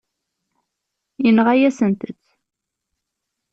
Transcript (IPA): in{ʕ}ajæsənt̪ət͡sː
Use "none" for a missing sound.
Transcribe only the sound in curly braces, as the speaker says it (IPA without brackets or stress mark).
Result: ʁ